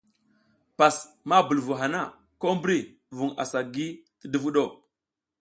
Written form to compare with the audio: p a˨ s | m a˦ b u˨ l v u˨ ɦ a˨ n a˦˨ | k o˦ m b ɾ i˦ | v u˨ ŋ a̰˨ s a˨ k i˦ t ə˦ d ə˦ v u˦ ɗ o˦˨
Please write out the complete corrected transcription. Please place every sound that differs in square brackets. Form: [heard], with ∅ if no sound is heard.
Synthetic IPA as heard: p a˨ s | m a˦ b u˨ l v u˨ ɦ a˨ n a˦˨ | k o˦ m b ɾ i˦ | v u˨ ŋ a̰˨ s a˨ [ɡ] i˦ t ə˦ d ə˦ v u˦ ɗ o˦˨